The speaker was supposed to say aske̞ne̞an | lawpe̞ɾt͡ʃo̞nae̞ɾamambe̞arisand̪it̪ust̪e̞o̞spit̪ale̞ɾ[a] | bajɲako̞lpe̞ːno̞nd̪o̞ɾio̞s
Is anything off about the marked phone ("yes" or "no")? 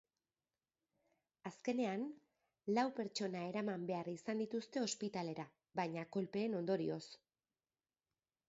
no